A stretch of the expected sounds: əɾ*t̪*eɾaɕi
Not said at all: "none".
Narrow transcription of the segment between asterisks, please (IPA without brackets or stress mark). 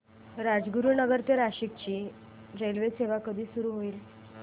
t̪